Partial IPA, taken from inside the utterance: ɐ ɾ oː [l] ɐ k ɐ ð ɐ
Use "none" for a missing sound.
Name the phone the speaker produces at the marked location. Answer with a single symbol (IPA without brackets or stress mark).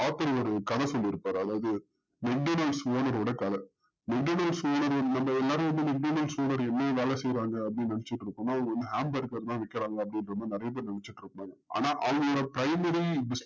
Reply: ɽ